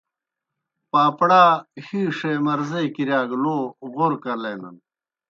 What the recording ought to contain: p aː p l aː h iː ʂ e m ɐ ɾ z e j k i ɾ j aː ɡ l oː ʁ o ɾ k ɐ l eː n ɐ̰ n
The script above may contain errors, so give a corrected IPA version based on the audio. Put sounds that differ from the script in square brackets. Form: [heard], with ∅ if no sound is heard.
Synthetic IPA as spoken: p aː p [ɽ] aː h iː ʂ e m ɐ ɾ z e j k i ɾ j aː ɡ l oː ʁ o ɾ k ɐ l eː n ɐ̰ n